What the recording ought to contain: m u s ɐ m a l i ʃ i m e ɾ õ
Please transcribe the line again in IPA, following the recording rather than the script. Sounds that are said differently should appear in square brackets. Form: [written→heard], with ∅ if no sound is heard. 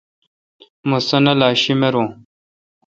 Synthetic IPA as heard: m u s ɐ [m→n] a l [i→a] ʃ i m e ɾ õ

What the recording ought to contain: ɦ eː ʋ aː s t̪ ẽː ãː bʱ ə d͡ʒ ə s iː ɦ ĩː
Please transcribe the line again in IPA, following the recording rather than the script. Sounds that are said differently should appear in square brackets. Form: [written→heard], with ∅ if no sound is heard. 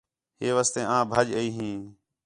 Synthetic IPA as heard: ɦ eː ʋ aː s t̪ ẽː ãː bʱ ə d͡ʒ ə [s→∅] iː ɦ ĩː

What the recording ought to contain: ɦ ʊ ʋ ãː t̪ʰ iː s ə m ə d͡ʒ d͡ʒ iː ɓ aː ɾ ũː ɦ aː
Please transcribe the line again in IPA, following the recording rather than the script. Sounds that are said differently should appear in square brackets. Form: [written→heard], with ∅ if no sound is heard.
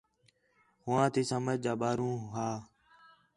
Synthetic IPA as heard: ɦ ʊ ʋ ãː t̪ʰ iː s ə m ə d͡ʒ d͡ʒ [iː→aː] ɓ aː ɾ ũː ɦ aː

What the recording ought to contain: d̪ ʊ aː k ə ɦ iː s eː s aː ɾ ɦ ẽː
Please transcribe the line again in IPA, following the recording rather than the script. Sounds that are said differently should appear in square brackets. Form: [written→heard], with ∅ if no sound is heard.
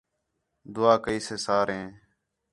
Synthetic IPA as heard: d̪ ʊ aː k ə [ɦ→∅] iː s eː s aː ɾ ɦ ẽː

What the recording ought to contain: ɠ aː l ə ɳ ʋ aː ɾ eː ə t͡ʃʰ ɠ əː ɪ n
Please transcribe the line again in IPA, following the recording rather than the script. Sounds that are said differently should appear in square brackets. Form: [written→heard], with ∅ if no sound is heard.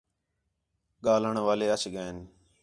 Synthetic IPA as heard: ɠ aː l ə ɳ ʋ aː [ɾ→l] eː ə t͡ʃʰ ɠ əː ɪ n

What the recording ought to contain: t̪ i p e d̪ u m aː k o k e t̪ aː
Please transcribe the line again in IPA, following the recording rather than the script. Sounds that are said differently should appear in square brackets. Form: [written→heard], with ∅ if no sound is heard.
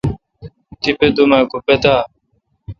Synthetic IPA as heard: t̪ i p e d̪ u m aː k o [k→p] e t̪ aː

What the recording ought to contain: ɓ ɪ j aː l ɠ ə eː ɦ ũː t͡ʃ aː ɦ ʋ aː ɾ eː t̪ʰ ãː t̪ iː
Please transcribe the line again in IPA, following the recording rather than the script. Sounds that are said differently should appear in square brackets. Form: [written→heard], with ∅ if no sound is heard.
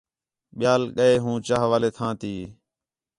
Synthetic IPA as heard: ɓ ɪ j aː l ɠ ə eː ɦ ũː t͡ʃ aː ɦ ʋ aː [ɾ→l] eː t̪ʰ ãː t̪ iː

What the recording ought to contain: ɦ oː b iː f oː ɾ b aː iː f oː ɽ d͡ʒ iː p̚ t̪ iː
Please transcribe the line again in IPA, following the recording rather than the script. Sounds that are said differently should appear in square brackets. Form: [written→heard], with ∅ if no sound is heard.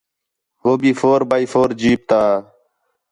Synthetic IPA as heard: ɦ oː b iː f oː ɾ b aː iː f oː [ɽ→ɾ] d͡ʒ iː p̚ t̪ [iː→aː]

